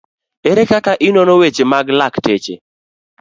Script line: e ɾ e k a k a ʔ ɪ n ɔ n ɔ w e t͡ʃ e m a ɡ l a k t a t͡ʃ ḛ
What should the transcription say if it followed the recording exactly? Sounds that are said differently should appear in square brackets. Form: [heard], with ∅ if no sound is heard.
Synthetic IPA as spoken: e ɾ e k a k a ʔ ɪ n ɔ n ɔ w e t͡ʃ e m a ɡ l a k t [e] t͡ʃ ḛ